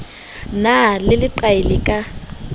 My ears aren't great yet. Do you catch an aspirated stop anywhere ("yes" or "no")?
no